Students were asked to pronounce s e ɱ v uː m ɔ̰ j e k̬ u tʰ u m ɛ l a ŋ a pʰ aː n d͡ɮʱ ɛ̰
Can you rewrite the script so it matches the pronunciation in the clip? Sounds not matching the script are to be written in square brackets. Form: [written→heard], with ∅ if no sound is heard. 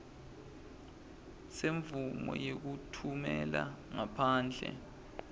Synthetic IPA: s e ɱ v [uː→u] m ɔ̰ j e k̬ u tʰ u m ɛ l a ŋ a pʰ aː n d͡ɮʱ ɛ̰